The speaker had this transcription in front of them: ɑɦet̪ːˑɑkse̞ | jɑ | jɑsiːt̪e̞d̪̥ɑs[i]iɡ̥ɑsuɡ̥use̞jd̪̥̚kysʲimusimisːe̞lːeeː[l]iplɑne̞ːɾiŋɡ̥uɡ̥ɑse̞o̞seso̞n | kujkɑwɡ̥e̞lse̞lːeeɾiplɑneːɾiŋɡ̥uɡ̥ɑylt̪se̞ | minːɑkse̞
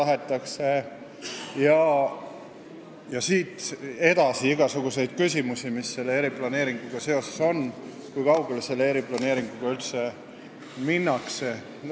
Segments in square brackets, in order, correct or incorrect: correct, incorrect: ɾ

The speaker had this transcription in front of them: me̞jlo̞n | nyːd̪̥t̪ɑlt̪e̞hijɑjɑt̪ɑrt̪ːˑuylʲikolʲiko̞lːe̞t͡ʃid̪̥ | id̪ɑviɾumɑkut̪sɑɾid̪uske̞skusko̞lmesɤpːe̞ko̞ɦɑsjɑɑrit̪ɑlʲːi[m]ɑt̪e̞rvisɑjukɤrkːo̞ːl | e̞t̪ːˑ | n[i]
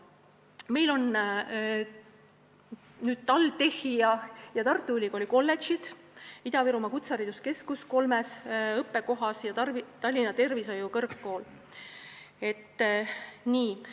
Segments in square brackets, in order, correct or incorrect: incorrect: n, incorrect: iː

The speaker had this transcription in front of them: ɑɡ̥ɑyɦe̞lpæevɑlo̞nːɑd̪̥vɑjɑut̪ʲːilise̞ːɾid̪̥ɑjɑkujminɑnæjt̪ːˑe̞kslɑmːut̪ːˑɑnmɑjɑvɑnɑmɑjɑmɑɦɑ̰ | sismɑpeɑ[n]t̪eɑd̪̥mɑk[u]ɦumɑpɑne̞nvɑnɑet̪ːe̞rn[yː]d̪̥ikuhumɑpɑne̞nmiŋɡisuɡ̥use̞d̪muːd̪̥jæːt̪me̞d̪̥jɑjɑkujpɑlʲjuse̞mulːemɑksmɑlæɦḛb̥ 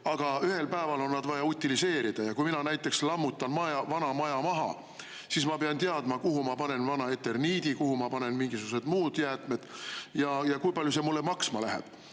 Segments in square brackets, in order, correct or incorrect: correct, correct, incorrect: iː

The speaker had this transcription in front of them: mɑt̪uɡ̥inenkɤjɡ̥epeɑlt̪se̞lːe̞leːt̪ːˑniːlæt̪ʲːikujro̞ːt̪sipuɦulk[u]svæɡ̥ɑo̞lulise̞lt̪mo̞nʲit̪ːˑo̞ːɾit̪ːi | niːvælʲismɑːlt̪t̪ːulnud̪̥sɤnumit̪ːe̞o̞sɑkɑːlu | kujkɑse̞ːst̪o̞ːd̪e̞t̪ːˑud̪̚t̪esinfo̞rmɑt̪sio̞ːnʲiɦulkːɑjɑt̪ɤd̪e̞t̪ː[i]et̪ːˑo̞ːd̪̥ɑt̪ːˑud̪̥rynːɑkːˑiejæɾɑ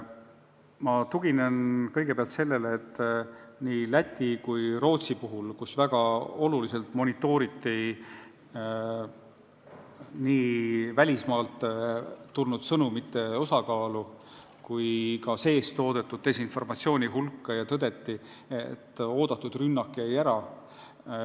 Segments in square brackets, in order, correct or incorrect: correct, correct

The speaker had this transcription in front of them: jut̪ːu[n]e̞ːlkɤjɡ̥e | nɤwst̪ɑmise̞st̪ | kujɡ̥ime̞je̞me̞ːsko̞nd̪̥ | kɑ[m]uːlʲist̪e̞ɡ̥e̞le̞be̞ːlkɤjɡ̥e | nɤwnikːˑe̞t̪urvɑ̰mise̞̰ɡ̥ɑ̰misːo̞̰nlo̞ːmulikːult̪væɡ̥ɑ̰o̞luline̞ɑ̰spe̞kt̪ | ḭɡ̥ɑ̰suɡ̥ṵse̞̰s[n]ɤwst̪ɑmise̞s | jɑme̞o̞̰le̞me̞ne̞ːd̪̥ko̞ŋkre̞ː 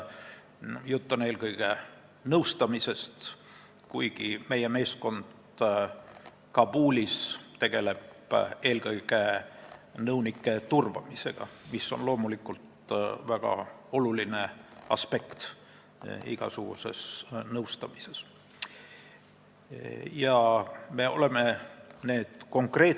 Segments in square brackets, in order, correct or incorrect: correct, incorrect: b, correct

